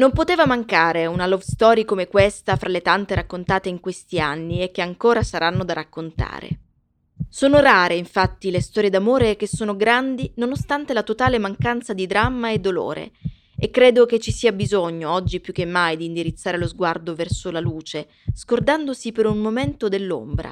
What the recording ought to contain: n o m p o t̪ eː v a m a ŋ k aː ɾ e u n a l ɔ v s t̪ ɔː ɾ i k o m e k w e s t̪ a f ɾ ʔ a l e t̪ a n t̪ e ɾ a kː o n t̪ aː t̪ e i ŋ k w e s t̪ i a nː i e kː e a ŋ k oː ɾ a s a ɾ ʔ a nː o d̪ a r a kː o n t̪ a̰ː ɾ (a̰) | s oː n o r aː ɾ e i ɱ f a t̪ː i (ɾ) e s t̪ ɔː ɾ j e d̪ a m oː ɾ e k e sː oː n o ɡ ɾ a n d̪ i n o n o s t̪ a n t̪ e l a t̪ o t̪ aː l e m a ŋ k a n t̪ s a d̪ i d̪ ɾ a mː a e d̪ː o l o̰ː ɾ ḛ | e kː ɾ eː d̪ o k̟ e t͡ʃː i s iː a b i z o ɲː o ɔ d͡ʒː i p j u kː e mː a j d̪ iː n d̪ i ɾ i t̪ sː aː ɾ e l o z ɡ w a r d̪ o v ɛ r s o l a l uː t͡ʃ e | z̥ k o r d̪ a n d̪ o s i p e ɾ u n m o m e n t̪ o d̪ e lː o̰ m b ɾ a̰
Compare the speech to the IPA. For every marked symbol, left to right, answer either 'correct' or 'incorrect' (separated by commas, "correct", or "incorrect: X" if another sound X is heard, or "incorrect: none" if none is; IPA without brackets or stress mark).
incorrect: ḛ, incorrect: l